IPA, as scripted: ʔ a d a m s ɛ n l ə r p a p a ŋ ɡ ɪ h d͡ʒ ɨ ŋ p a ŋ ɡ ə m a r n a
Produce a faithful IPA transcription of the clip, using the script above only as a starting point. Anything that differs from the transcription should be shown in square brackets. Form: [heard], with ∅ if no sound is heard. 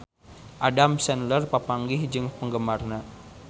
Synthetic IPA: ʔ a d a m s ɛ n l ə r p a p a ŋ ɡ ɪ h d͡ʒ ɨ ŋ p [ə] ŋ ɡ ə m a r n a